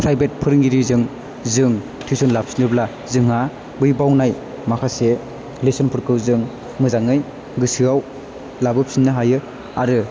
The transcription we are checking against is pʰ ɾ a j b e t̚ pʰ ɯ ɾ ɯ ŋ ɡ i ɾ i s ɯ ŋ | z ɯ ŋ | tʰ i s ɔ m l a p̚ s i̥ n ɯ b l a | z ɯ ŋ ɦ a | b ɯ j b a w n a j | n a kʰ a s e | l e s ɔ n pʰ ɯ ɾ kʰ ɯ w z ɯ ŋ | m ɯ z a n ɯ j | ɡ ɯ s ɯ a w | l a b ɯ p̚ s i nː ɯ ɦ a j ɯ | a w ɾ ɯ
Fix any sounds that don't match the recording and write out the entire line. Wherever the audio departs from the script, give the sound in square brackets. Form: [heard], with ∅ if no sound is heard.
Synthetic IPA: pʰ ɾ a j b e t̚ pʰ ɯ ɾ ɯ ŋ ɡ i ɾ i [z] ɯ ŋ | z ɯ ŋ | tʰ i s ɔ [n] l a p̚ s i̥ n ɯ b l a | z ɯ ŋ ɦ a | b ɯ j b a w n a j | [m] a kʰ a s e | l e s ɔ n pʰ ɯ ɾ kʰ ɯ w z ɯ ŋ | m ɯ z a [ŋ] ɯ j | ɡ ɯ s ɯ a w | l a b ɯ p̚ s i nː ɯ ɦ a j ɯ | a [∅] ɾ ɯ

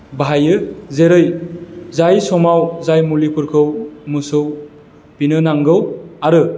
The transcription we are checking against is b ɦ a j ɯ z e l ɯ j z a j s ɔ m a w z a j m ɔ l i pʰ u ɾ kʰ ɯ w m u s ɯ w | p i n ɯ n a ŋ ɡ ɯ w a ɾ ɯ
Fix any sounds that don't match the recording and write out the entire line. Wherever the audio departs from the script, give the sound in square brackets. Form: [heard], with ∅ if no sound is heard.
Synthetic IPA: b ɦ a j ɯ z e [ɾ] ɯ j z a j s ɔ m a w z a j m [u] l i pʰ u ɾ kʰ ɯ w m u s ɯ w | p i n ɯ n a ŋ ɡ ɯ w a ɾ ɯ

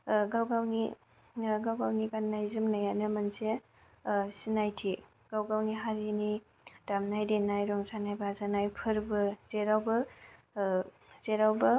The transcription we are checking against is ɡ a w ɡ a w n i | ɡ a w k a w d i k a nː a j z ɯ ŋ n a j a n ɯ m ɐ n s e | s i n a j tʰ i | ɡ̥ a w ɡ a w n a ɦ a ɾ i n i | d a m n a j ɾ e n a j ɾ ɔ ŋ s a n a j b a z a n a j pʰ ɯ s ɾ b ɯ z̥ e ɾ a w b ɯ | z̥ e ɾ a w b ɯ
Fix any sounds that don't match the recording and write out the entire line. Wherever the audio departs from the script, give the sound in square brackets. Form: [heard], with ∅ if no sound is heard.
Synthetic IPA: ɡ a w ɡ a w n i | ɡ a w [ɡ] a w [n] i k a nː a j z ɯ [m] n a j a n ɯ m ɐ n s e | s i n a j tʰ i | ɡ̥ a w ɡ a w n [i] ɦ a ɾ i n i | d a m n a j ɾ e n a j ɾ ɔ ŋ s a n a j b a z a n a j pʰ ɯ [∅] ɾ b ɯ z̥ e ɾ a w b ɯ | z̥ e ɾ a w b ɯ

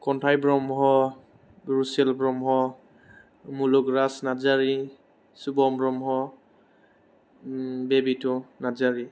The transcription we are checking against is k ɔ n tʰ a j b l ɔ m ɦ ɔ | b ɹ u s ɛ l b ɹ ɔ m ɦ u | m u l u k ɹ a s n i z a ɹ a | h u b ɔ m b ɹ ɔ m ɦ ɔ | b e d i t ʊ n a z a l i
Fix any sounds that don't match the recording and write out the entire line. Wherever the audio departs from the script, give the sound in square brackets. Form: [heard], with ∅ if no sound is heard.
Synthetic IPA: k ɔ n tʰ a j b [ɹ] ɔ m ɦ ɔ | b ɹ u s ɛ l b ɹ ɔ m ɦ [ɔ] | m u l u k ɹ a s n [a] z a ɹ [i] | [s] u b ɔ m b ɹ ɔ m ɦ ɔ | b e [b] i t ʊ n a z a [ɹ] i

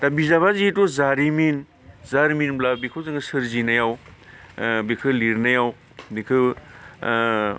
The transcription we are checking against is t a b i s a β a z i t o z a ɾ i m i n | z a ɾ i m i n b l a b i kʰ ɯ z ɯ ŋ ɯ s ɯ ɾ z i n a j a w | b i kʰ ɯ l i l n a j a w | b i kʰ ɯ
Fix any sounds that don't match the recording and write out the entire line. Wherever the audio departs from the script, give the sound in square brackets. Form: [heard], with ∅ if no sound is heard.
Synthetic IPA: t a b i [z] a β a z i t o z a ɾ i m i n | z a ɾ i m i n b l a b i kʰ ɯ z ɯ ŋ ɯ s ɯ ɾ z i n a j a w | b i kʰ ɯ l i [ɾ] n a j a w | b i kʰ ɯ

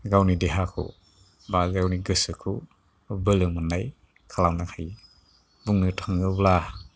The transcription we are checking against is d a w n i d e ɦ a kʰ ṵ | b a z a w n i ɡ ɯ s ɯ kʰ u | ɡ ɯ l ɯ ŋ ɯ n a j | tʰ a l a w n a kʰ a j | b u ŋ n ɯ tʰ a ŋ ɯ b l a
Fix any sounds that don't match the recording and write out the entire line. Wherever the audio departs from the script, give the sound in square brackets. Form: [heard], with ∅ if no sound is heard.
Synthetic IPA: [ɡ] a w n i d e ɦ a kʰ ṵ | b a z a w n i ɡ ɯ s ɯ kʰ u | [b] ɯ l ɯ [m] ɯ n a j | [kʰ] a l a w n a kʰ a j | b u ŋ n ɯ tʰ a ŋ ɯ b l a

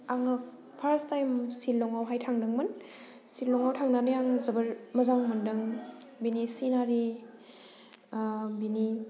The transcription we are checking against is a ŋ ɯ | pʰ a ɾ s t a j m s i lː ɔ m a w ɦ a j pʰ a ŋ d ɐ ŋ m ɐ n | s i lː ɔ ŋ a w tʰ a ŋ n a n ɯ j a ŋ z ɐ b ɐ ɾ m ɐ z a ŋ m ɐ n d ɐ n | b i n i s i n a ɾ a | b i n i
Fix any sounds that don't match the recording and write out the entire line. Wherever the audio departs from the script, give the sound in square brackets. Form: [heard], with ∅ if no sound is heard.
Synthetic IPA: a ŋ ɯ | pʰ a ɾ s t a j m s i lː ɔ [ŋ] a w ɦ a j [tʰ] a ŋ d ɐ ŋ m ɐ n | s i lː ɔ ŋ a w tʰ a ŋ n a n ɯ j a ŋ z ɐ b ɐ ɾ m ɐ z a ŋ m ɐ n d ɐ [ŋ] | b i n i s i n a ɾ [i] | b i n i

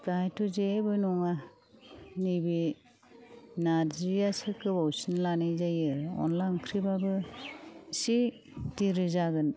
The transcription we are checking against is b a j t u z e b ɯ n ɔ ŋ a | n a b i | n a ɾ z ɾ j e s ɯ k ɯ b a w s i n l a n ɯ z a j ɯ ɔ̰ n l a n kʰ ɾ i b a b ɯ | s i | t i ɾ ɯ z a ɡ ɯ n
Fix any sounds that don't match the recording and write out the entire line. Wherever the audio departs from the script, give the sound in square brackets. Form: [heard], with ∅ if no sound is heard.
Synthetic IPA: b a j t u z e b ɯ n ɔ ŋ a | n [i] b i | n a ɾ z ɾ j [a] s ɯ k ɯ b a w s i n l a n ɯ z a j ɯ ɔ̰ n l a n kʰ ɾ i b a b ɯ | s i | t i ɾ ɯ z a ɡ ɯ n

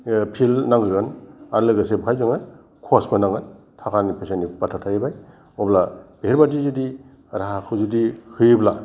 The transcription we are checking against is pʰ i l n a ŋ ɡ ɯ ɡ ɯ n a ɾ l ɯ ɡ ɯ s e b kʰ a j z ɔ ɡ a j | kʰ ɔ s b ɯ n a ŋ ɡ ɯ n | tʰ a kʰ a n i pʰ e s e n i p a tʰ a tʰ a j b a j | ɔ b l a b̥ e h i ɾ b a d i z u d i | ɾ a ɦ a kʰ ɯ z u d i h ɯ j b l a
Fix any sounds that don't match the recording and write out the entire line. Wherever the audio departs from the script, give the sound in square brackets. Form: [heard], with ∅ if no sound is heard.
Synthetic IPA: pʰ i l n a ŋ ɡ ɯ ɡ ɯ n a ɾ l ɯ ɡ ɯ s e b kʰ a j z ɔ [ŋ] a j | kʰ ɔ s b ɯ n a ŋ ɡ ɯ n | tʰ a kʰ a n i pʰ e s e n i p a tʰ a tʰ a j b a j | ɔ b l a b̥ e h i ɾ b a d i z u d i | ɾ a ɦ a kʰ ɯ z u d i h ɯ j b l a

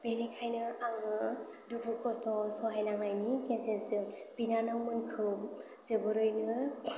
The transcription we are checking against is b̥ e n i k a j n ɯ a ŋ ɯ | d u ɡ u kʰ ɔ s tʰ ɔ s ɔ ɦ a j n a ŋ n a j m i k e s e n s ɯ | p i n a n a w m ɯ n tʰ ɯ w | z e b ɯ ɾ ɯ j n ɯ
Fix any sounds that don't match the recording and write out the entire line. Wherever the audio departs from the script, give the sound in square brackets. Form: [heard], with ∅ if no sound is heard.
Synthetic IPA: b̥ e n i [kʰ] a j n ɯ a ŋ ɯ | d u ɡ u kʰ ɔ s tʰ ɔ s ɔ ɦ a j n a ŋ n a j [n] i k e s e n s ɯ | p i n a n a w m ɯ n [kʰ] ɯ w | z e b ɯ ɾ ɯ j n ɯ

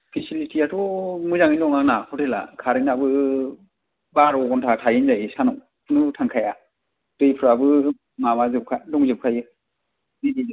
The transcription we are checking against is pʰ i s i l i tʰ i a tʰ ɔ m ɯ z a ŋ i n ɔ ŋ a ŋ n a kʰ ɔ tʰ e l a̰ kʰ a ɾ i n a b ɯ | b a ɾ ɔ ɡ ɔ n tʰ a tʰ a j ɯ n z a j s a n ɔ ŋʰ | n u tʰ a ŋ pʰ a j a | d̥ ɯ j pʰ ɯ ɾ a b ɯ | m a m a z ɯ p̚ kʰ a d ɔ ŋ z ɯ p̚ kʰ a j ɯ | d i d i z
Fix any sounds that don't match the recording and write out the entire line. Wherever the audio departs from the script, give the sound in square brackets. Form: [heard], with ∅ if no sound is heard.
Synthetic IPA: pʰ i s i l i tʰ i a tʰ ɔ m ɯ z a ŋ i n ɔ ŋ a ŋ n a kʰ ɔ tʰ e l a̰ kʰ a ɾ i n a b ɯ | b a ɾ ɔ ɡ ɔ n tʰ a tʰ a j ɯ n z a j s a n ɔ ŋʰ | n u tʰ a ŋ [kʰ] a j a | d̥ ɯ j pʰ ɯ ɾ a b ɯ | m a m a z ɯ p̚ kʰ a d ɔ ŋ z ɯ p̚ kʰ a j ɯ | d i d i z

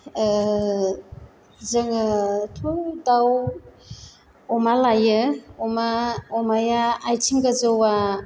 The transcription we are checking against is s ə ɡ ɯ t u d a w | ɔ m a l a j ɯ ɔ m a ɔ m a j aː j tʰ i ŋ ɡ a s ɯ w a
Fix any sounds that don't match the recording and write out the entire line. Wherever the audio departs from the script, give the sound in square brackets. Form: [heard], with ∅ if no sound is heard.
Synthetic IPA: [z] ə [ŋ] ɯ [tʰ] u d a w | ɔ m a l a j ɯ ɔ m a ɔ m a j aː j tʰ i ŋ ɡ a [z] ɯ w a

